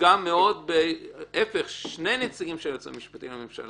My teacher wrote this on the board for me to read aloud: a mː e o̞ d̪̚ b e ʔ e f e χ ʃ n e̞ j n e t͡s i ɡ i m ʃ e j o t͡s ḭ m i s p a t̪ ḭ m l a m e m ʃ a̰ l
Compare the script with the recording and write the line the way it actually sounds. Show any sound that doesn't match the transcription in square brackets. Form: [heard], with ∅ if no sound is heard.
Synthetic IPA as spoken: a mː e o̞ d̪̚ b e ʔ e f e χ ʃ n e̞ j n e t͡s i ɡ i m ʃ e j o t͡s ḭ m i [ʃ] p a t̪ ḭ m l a m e m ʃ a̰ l